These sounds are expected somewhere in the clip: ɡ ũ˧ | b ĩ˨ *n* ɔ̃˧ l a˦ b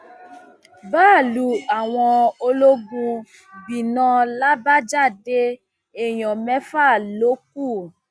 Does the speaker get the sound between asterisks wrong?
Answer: no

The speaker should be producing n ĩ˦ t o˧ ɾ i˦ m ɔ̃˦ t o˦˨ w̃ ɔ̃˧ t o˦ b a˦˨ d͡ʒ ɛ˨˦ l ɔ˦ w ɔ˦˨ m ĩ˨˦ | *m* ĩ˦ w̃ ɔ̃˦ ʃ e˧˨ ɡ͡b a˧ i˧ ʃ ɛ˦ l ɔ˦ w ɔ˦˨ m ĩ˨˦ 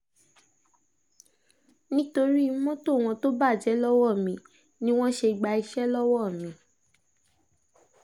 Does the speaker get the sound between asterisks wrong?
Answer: yes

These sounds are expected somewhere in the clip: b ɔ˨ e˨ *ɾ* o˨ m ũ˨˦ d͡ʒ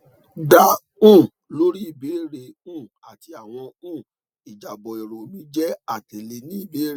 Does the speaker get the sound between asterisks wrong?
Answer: no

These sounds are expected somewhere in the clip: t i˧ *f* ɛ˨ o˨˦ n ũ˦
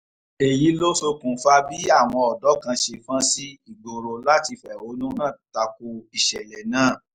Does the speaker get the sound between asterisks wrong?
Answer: no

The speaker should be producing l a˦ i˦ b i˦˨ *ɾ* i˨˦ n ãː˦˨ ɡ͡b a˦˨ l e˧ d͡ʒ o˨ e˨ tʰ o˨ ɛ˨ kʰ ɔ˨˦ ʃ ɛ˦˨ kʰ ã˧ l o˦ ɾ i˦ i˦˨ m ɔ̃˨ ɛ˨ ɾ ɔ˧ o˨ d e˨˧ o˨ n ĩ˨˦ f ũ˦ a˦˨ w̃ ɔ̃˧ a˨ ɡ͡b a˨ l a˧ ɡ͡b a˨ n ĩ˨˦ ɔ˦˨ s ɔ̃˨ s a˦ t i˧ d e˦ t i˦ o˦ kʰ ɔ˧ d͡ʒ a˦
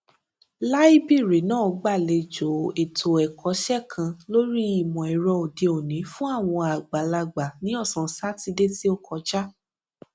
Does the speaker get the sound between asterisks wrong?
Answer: no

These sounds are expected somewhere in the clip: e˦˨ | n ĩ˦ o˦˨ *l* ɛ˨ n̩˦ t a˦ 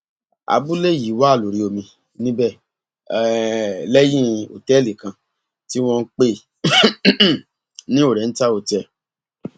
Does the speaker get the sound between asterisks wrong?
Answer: yes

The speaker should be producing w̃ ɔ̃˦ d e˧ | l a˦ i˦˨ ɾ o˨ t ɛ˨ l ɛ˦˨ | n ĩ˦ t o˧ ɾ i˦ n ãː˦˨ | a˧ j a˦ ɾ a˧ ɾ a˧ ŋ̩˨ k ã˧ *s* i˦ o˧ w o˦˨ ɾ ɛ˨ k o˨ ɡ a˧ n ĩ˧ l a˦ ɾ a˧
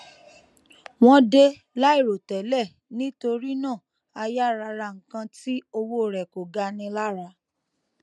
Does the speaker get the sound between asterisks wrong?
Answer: yes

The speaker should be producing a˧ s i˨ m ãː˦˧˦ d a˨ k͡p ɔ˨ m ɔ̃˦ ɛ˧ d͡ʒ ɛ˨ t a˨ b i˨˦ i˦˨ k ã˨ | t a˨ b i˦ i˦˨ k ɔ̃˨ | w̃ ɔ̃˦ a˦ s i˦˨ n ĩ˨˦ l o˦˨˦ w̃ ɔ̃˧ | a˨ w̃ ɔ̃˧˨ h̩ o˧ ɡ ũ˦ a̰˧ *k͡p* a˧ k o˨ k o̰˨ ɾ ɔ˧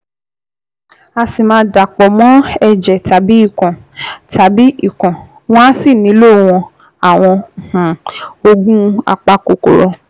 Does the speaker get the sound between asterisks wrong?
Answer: no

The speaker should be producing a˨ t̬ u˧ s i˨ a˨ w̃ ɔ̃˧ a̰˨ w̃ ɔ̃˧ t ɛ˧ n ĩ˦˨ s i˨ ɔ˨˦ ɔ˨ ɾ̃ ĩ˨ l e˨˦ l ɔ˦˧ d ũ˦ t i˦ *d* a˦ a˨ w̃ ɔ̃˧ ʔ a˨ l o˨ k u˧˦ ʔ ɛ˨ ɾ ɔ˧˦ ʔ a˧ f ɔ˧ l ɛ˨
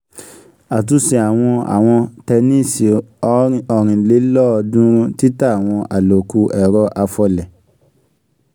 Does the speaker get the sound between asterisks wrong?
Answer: yes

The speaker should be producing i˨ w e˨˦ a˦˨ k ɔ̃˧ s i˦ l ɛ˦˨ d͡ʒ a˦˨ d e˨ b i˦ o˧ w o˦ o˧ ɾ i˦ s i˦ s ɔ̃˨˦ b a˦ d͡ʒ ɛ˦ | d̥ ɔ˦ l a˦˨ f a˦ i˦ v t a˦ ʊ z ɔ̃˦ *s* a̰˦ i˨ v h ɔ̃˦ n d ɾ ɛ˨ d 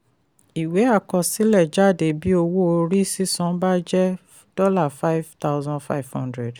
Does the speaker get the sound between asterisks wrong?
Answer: yes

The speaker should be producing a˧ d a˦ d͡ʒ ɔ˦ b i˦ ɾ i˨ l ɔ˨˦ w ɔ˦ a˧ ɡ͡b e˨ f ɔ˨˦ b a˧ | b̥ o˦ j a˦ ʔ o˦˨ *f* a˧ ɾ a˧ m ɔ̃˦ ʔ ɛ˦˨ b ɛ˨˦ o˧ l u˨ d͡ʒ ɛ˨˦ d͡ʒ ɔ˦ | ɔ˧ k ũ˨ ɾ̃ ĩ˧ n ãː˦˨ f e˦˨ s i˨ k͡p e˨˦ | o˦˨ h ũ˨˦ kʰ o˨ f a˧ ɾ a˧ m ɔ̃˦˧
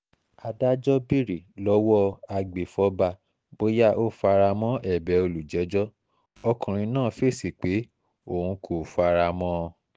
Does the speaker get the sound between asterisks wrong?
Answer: no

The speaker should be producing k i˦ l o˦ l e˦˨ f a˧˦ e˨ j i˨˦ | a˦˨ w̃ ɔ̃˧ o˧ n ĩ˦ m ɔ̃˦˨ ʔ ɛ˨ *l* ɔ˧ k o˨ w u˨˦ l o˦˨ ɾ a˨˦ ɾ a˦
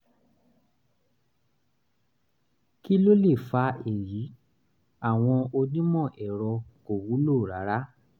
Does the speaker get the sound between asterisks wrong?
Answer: yes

